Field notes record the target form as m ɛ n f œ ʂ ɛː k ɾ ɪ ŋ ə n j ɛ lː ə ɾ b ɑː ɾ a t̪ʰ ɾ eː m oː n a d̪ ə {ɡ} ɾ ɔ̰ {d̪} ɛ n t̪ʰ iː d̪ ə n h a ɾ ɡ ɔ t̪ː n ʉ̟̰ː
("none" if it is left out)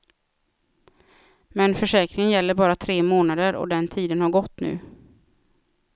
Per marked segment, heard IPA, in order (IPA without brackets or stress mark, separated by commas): none, d̪